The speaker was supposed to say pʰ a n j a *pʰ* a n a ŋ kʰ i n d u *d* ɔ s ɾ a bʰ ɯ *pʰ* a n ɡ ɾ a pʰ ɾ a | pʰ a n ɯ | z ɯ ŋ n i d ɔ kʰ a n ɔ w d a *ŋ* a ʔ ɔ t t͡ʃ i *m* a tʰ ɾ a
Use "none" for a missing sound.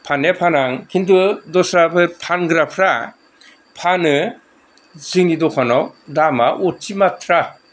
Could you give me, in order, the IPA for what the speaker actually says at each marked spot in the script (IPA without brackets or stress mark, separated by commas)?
pʰ, d, pʰ, m, m